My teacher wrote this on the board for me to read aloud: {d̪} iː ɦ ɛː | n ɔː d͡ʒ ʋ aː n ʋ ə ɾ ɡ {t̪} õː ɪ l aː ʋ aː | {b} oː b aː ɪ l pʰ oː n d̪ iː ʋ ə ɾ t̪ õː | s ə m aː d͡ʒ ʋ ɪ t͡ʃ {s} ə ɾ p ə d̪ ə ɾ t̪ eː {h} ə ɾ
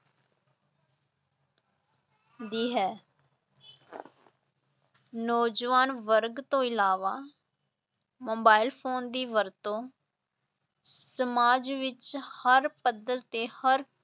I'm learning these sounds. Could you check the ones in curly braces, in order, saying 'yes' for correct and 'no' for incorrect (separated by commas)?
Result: yes, yes, no, no, yes